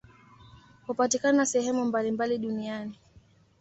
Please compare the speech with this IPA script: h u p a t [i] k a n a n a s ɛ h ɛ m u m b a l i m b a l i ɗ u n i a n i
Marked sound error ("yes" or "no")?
no